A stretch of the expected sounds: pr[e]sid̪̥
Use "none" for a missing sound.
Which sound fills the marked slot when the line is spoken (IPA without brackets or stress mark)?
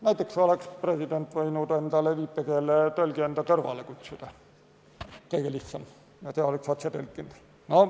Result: e